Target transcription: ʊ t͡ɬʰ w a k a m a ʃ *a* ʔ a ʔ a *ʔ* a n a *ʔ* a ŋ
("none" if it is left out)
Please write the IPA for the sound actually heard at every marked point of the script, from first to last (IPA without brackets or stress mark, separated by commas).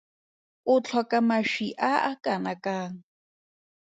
i, k, k